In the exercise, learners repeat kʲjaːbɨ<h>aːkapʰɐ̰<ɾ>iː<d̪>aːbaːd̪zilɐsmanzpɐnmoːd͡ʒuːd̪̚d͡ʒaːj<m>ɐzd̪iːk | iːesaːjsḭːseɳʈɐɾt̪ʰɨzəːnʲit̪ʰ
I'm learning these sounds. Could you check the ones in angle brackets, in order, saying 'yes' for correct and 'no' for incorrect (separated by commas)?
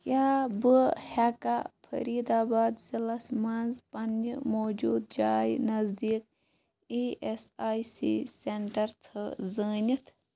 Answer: yes, yes, yes, no